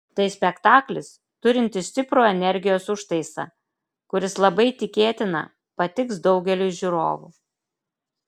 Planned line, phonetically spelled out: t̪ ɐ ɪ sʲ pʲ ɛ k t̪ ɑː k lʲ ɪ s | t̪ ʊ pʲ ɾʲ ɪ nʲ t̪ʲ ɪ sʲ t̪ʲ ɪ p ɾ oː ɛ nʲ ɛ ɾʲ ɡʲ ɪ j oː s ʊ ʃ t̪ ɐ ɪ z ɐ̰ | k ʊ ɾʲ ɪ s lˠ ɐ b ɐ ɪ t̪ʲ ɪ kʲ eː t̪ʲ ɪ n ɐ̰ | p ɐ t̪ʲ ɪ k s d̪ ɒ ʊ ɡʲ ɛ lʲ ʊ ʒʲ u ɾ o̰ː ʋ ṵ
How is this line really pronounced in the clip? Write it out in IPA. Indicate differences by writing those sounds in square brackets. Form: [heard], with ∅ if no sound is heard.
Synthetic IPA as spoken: t̪ ɐ ɪ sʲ pʲ ɛ k t̪ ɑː k lʲ ɪ s | t̪ ʊ [∅] ɾʲ ɪ nʲ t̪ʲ ɪ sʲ t̪ʲ ɪ p ɾ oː ɛ nʲ ɛ ɾʲ ɡʲ ɪ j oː s ʊ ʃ t̪ ɐ ɪ [s] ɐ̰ | k ʊ ɾʲ ɪ s lˠ ɐ b ɐ ɪ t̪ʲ ɪ kʲ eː t̪ʲ ɪ n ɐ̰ | p ɐ t̪ʲ ɪ k s d̪ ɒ ʊ ɡʲ ɛ lʲ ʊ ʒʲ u ɾ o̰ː ʋ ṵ